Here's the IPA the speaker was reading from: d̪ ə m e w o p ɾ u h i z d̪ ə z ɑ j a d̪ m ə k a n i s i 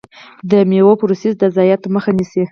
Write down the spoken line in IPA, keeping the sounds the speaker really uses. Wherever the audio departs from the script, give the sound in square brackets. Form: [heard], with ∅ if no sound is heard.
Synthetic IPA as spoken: d̪ ə m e w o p ɾ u [s] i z d̪ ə z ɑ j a [t̪] m ə [x] a n i s i